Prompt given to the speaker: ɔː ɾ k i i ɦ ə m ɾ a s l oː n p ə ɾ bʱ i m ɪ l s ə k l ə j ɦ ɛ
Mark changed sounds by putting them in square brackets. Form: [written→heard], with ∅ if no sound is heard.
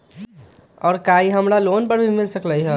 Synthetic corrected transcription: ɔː ɾ k [i→a] i ɦ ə m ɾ a [s→∅] l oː n p ə ɾ bʱ i m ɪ l s ə k l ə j ɦ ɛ